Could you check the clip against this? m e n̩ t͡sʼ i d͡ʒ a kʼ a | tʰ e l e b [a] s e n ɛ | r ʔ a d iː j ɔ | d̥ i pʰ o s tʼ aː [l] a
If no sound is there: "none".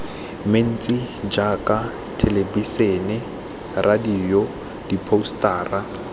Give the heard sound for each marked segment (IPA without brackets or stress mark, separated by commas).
i, r